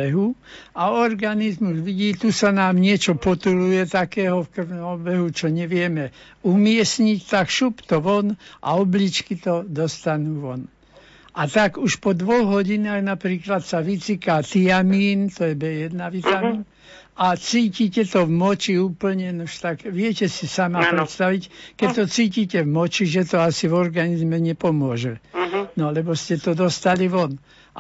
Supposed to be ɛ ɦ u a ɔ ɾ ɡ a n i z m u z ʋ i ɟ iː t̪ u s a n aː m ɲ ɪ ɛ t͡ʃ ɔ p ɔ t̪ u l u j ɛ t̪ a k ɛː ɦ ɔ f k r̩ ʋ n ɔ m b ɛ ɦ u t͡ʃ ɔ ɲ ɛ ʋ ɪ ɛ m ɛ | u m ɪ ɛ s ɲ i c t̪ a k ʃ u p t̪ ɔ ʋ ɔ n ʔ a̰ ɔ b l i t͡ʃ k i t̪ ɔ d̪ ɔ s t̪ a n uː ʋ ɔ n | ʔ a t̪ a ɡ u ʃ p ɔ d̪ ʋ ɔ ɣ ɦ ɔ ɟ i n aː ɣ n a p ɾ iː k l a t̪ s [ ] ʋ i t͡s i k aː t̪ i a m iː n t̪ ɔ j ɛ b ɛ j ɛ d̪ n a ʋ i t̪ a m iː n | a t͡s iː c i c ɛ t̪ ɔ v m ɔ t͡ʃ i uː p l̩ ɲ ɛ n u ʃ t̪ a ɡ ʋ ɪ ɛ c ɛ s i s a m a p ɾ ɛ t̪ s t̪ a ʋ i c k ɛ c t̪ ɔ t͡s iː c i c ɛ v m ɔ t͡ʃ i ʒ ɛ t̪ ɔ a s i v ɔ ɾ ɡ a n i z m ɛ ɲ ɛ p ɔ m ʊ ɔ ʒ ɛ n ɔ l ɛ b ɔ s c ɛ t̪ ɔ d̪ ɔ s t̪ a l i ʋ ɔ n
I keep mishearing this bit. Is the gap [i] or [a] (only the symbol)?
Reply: a